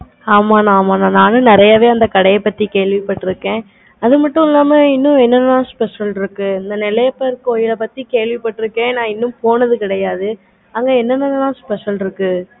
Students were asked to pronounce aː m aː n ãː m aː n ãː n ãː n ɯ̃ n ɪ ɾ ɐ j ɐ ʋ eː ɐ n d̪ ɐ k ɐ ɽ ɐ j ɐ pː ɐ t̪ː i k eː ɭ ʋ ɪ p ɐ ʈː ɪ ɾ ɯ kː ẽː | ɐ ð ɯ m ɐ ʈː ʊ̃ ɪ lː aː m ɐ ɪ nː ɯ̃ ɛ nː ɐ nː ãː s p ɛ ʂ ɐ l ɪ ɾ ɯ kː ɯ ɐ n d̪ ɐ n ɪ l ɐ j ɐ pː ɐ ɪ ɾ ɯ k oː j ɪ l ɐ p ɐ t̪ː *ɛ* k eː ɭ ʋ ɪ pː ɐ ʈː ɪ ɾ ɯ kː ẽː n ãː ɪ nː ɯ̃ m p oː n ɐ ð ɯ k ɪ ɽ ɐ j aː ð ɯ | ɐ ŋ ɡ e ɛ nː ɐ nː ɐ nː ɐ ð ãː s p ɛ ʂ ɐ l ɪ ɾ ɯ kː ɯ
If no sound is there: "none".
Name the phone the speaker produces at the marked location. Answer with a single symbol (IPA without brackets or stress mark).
i